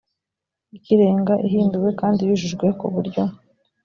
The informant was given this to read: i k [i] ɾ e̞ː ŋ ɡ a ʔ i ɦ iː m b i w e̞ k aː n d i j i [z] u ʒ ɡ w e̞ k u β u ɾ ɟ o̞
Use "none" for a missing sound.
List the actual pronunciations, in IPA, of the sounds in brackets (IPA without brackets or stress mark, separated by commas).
i, ʒ